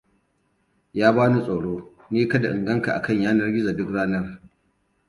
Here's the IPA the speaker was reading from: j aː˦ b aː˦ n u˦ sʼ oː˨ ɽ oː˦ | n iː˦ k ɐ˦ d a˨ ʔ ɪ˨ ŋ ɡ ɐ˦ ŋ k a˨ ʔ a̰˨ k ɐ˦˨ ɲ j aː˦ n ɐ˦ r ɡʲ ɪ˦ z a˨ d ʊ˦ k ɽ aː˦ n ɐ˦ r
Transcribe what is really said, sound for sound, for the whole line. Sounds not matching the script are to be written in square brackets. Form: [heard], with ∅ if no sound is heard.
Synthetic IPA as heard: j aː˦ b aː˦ n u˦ sʼ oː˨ ɽ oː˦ | n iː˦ k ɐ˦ d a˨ ʔ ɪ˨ ŋ ɡ ɐ˦ ŋ k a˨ ʔ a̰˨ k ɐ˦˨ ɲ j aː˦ n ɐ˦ r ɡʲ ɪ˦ z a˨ d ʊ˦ k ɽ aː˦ n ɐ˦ r